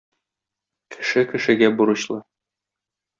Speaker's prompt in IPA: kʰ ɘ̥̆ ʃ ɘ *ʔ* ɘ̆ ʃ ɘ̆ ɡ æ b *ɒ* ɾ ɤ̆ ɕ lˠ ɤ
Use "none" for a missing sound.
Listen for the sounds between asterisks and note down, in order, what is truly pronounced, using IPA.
k, u

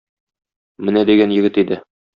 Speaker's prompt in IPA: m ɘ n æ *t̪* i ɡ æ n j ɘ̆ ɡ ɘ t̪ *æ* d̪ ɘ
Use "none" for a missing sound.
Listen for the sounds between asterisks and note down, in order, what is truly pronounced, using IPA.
d̪, i

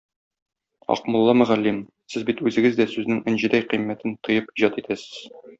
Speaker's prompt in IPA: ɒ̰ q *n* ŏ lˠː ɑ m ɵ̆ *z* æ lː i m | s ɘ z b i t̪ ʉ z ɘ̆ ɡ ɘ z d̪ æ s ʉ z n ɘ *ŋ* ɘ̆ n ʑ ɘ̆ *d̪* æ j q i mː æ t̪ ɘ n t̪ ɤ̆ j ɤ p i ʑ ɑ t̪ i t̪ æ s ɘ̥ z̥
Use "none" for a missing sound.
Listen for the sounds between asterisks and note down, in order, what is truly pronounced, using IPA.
m, ʁ, ŋ, d̪

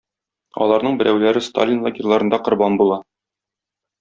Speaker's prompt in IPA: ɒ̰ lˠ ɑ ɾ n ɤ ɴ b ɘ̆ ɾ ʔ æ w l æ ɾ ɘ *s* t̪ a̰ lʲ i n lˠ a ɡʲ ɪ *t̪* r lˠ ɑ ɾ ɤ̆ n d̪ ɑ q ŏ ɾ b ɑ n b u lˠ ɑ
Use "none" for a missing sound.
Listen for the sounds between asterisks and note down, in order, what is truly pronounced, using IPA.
s, none

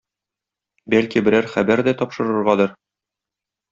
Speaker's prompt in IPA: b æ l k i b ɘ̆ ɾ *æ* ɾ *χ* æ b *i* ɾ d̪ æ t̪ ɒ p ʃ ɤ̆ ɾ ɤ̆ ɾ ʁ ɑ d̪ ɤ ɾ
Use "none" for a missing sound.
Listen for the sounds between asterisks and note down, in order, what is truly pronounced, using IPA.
æ, χ, æ

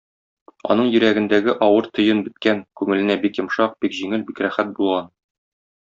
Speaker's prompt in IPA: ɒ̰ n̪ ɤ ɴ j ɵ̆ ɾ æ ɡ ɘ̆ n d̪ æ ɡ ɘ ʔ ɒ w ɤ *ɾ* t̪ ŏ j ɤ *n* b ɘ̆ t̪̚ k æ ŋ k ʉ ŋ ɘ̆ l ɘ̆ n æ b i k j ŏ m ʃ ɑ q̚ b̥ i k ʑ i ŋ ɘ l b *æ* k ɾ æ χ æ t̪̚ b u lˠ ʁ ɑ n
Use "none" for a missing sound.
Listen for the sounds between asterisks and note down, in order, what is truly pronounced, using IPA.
ɾ, n, i

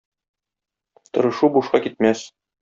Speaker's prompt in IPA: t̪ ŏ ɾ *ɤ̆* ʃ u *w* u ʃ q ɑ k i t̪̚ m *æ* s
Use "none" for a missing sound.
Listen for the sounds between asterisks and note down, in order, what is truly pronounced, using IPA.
ɤ̆, b, æ

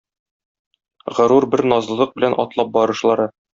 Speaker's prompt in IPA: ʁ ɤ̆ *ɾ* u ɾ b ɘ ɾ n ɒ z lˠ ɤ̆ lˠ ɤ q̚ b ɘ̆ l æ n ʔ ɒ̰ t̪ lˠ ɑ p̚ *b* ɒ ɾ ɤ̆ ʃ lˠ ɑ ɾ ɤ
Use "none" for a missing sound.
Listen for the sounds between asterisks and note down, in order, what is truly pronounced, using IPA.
ɾ, b

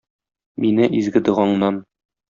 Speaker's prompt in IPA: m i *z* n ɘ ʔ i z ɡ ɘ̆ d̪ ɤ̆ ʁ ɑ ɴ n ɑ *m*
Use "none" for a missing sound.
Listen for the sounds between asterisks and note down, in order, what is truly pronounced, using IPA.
none, n

